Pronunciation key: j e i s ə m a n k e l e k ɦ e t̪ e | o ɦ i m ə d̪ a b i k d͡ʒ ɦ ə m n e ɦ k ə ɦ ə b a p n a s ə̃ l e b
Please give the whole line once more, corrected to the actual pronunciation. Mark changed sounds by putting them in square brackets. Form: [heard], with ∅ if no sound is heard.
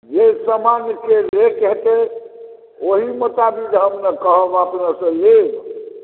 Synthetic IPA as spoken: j e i s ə m a n k e [ɾ] e k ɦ e t̪ e | o ɦ i m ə [t̪] a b i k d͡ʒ ɦ ə m n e [∅] k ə ɦ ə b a p n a s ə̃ l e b